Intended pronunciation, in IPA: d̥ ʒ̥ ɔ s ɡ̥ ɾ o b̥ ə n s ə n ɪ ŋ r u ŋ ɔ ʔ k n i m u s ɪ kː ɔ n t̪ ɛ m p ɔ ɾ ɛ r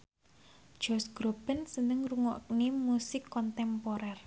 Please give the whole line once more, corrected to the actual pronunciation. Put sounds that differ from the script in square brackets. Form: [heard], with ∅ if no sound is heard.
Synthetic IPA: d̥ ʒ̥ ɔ s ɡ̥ ɾ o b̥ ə n s ə n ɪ ŋ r u ŋ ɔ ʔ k n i m u s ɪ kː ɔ n t̪ ɛ m p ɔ ɾ ɛ r